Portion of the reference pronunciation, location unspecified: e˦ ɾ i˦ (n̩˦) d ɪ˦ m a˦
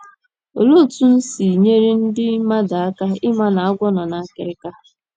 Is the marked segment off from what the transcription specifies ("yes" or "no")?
no